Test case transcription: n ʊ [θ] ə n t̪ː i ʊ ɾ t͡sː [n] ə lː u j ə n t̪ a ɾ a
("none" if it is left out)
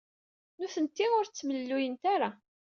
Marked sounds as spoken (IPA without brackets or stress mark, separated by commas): θ, m